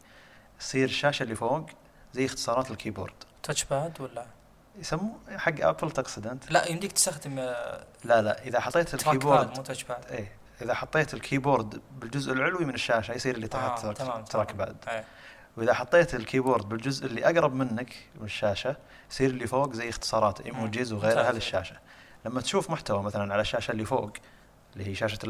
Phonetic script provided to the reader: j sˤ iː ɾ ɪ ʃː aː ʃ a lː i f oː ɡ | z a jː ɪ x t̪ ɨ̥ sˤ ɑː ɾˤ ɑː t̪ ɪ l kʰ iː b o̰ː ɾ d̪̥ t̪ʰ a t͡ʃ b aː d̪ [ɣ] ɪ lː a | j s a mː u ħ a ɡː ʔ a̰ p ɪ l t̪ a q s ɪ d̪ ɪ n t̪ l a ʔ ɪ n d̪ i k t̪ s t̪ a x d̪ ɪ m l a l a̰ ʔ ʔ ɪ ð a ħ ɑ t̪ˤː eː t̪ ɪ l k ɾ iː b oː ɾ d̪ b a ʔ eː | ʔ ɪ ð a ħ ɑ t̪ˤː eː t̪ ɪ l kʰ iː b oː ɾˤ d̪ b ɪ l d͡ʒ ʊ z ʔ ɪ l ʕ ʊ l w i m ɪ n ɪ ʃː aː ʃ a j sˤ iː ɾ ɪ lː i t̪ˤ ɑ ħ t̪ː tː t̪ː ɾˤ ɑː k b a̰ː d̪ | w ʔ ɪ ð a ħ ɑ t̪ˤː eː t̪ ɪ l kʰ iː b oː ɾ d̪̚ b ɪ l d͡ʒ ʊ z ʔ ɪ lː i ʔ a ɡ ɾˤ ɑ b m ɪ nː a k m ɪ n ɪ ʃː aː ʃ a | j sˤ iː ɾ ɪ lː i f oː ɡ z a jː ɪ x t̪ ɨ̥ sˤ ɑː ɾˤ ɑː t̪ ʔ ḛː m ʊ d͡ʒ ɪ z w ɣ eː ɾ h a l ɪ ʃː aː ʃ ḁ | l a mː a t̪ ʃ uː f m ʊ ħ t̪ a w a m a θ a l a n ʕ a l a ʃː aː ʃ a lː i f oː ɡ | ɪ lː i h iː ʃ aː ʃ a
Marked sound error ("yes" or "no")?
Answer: yes